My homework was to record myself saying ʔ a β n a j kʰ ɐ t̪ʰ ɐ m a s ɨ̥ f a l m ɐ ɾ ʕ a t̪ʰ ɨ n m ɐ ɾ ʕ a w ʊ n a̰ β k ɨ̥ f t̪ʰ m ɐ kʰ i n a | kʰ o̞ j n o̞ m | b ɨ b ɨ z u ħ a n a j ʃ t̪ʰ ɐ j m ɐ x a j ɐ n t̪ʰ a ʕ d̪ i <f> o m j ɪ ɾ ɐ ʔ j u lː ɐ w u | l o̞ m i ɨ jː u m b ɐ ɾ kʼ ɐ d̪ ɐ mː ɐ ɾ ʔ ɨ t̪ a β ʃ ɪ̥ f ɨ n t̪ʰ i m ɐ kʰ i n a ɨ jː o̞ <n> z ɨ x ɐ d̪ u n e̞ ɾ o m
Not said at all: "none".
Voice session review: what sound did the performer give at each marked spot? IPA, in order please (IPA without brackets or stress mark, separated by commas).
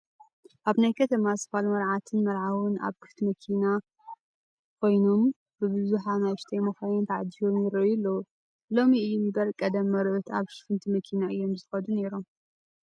ʃ, m